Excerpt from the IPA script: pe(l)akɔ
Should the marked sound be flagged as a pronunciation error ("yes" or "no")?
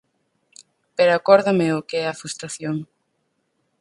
yes